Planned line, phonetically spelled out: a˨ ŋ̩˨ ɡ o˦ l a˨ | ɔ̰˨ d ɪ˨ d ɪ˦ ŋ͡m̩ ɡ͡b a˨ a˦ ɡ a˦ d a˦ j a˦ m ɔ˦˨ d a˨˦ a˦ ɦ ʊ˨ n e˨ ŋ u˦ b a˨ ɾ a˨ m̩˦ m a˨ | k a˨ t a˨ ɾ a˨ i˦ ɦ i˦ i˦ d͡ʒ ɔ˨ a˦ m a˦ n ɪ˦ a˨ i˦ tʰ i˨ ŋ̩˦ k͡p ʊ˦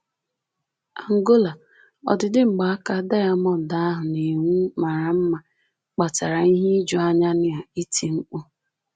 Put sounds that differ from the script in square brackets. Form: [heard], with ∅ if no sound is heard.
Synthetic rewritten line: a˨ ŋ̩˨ ɡ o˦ l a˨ | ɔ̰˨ d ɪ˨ d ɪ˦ ŋ͡m̩ ɡ͡b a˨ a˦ [k] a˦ d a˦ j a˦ m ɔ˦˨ d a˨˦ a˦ ɦ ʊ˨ n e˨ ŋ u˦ [m] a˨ ɾ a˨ m̩˦ m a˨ | [k͡p] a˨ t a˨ ɾ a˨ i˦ ɦ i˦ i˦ d͡ʒ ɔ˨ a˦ [ɲ] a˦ n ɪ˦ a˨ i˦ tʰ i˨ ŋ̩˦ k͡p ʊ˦